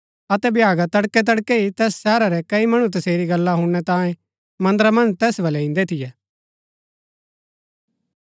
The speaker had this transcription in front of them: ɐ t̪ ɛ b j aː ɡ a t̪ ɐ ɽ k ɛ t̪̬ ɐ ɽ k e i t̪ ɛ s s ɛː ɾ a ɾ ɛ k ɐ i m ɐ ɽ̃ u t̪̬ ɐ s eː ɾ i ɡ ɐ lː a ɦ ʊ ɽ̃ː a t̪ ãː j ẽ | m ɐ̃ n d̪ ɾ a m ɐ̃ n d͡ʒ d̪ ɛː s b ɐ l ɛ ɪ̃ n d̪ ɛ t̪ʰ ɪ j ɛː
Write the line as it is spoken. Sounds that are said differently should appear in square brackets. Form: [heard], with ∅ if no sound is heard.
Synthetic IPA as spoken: ɐ t̪ ɛ b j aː ɡ a t̪ ɐ ɽ k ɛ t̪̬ ɐ ɽ k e i t̪ [ɛː] s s ɛː ɾ a ɾ ɛ k ɐ i m ɐ ɽ̃ u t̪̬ ɐ s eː ɾ i ɡ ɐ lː a ɦ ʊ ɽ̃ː [ɛ] t̪ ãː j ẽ | m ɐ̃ n d̪ ɾ a m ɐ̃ n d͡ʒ [t̪] ɛː s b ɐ l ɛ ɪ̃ n d̪ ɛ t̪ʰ ɪ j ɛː

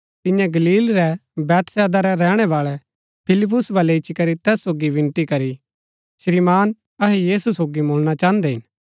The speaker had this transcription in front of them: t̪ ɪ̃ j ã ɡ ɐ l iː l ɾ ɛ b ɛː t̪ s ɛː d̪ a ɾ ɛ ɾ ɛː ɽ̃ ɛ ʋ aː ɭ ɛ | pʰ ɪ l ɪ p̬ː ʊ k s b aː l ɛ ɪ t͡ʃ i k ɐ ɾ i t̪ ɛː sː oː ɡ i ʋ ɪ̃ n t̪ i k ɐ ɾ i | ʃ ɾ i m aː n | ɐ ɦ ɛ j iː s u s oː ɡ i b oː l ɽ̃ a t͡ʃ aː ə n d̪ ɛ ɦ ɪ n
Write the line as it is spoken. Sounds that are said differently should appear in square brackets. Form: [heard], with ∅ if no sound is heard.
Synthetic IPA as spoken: t̪ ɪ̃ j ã ɡ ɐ l iː l ɾ ɛ b ɛː t̪ s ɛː d̪ a ɾ ɛ ɾ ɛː ɽ̃ ɛ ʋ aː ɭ ɛ | pʰ ɪ l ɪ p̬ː ʊ [∅] s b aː l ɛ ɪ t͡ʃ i k ɐ ɾ i t̪ ɛː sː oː ɡ i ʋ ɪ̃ n t̪ i k ɐ ɾ i | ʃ ɾ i m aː n | ɐ ɦ ɛ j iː s u s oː ɡ i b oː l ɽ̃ a t͡ʃ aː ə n d̪ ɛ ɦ ɪ n

